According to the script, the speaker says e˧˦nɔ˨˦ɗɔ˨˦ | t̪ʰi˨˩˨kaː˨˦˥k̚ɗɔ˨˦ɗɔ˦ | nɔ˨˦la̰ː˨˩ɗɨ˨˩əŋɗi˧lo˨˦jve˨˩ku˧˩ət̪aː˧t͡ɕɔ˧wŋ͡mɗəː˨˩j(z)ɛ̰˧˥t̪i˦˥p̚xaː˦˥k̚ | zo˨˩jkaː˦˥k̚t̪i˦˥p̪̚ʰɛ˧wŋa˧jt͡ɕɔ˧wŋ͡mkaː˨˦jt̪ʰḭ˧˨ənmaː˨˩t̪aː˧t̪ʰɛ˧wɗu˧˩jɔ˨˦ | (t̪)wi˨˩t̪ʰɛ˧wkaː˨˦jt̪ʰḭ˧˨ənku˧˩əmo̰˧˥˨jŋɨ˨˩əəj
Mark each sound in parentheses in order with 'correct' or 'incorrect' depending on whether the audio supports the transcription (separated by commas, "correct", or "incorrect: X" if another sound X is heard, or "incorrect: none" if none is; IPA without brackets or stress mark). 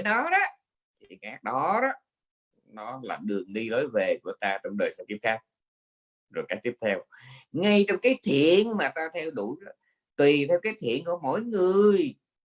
incorrect: s, correct